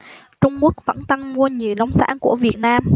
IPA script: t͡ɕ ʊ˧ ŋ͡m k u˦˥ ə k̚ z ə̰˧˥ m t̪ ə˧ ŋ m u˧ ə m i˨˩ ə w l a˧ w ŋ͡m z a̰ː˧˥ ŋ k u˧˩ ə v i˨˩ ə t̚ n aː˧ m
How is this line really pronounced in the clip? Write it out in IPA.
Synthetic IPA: t͡ɕ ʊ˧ ŋ͡m k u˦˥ ə k̚ v ə̰˧˥ n t̪ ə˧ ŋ m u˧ ə ɲ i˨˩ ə w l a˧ w ŋ͡m s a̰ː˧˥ n k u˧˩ ə v i˨˩ ə t̚ n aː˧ m